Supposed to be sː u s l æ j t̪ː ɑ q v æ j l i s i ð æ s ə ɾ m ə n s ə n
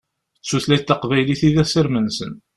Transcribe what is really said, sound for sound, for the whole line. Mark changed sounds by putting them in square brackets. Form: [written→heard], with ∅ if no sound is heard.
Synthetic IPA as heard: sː u [s→θ] l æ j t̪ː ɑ q v æ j l i [s→θ] i ð æ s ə ɾ m ə n s ə n